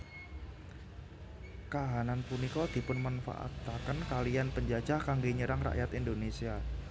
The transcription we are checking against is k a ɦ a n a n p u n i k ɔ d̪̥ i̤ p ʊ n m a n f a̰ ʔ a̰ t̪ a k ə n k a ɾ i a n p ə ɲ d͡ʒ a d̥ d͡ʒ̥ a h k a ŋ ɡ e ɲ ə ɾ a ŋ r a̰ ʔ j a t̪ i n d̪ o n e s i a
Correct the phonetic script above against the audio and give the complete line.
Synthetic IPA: k a ɦ a n a n p u n i k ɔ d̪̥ i̤ p ʊ n m a n f a̰ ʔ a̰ t̪ a k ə n k a l i a n p ə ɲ d͡ʒ a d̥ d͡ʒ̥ a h k a ŋ ɡ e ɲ ə ɾ a ŋ r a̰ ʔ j a t̪ i n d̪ o n e s i a